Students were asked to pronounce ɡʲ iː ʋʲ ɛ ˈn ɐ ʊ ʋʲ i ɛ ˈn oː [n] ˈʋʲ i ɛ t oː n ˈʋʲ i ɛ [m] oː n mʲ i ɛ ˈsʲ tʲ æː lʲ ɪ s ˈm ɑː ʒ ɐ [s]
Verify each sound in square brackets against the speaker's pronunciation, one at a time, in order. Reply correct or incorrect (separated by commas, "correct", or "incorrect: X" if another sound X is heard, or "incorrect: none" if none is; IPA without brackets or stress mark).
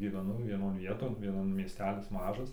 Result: correct, incorrect: n, correct